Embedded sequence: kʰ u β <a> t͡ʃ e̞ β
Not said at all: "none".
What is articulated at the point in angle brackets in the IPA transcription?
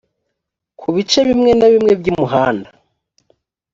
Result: i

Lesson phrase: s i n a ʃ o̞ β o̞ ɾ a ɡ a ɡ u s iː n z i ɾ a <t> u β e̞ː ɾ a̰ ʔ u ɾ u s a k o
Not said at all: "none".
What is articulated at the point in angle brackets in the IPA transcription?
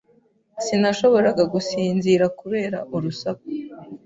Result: k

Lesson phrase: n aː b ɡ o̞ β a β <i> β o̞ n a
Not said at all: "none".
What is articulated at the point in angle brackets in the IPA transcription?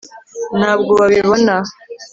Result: i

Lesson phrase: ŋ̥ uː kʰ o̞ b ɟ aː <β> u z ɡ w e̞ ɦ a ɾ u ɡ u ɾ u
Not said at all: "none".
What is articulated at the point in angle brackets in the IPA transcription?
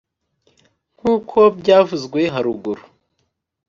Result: v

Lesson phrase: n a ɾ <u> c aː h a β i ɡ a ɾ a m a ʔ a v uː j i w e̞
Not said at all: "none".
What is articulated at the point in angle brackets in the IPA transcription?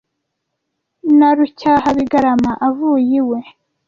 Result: u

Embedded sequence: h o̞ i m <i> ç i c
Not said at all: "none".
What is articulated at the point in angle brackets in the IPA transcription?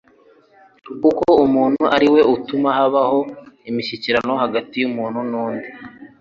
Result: i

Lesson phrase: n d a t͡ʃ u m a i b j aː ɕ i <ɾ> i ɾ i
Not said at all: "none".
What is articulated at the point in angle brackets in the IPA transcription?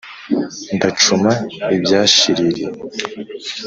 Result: ɾ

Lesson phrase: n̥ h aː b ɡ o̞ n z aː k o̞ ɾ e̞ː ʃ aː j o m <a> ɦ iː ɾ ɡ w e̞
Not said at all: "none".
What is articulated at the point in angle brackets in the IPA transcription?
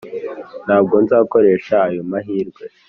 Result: a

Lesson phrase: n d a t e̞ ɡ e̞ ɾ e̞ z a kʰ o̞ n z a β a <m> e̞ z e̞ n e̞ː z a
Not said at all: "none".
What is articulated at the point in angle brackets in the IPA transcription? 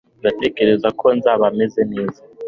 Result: m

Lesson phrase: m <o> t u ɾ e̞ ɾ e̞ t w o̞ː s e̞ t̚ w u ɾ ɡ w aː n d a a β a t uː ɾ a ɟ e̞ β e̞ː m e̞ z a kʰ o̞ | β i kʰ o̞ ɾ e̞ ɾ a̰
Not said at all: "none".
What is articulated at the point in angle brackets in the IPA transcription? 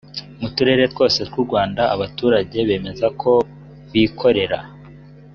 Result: u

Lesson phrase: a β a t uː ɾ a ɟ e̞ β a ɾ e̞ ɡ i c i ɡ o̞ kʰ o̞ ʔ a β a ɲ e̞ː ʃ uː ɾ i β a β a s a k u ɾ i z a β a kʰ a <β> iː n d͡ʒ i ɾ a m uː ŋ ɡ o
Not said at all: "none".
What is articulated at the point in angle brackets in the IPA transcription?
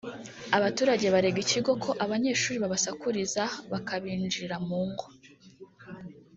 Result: β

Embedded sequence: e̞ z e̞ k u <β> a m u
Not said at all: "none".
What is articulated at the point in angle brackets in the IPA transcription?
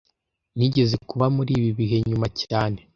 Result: β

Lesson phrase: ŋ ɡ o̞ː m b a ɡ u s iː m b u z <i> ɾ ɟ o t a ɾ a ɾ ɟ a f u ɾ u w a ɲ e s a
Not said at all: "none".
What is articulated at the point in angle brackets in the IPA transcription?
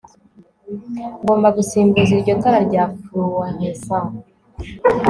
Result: i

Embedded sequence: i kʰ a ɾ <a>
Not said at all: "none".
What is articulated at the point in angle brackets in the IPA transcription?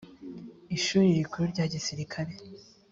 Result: e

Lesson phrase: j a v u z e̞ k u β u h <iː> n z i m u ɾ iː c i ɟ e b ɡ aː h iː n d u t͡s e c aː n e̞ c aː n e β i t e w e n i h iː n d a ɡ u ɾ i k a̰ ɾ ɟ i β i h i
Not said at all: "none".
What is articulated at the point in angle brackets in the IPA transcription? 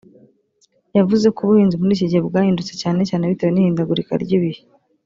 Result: iː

